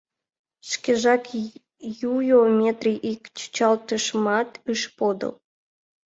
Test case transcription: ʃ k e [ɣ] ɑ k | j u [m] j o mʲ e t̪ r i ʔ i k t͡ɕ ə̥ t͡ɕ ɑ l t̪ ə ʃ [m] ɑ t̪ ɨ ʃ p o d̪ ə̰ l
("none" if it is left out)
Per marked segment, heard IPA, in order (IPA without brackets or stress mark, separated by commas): ʒ, none, m